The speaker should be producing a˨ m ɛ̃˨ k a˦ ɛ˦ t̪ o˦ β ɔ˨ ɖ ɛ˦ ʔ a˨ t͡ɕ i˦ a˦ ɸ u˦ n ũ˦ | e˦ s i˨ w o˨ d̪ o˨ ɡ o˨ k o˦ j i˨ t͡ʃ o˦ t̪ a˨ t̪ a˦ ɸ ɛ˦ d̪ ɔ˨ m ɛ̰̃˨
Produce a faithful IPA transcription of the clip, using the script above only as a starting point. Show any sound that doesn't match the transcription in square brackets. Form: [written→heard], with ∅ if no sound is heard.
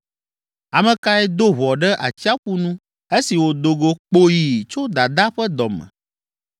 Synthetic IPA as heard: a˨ m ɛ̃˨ k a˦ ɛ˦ [t̪→d̪] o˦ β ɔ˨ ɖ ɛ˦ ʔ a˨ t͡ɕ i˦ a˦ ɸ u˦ n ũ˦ | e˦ s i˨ w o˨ d̪ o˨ ɡ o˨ [k→k͡p] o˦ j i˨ t͡ʃ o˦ [t̪→d̪] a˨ [t̪→d̪] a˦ ɸ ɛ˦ d̪ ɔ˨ m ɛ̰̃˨